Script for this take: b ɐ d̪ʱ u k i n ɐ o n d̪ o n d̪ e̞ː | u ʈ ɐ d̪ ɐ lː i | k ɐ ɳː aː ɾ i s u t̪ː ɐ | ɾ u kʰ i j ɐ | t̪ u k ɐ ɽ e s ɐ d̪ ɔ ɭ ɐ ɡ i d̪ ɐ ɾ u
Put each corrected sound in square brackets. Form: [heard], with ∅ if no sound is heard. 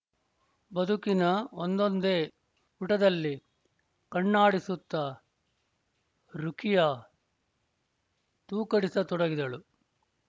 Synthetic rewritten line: b ɐ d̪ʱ u k i n ɐ o n d̪ o n d̪ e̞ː | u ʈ ɐ d̪ ɐ lː i | k ɐ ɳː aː [ɽ] i s u t̪ː ɐ | ɾ u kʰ i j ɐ | t̪ [uː] k ɐ ɽ [i] s ɐ [t̪] ɔ [ɽ] ɐ ɡ i d̪ ɐ [ɭ] u